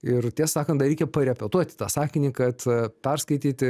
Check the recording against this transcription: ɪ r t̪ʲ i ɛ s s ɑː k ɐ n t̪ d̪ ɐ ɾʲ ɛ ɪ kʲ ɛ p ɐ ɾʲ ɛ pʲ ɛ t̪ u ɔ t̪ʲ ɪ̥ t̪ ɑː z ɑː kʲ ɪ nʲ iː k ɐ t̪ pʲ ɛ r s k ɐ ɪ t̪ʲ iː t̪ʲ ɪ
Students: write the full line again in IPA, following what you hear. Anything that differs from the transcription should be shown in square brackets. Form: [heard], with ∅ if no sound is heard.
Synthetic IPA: ɪ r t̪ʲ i ɛ s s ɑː k ɐ n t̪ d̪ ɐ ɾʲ ɛ ɪ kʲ ɛ p ɐ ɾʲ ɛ pʲ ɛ t̪ u ɔ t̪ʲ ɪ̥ t̪ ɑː [s] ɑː kʲ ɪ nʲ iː k ɐ t̪ pʲ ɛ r s k ɐ ɪ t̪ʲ iː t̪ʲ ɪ